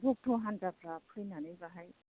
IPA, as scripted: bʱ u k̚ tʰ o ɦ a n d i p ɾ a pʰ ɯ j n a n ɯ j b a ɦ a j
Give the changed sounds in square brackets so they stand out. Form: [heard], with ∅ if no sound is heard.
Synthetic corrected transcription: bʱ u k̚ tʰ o ɦ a n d [a] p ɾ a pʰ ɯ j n a n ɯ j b a ɦ a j